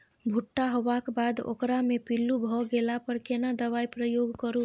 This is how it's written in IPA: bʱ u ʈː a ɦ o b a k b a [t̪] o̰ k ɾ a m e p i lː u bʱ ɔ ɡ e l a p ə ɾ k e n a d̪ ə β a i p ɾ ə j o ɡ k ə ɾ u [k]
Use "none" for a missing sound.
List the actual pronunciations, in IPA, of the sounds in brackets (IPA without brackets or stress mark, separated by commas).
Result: d̪, none